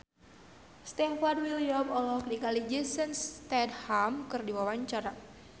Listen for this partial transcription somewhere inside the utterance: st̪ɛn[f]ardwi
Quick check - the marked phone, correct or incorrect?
correct